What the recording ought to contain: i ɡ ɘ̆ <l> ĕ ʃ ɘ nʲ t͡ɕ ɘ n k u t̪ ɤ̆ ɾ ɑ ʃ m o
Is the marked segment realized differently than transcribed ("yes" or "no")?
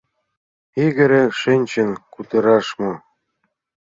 yes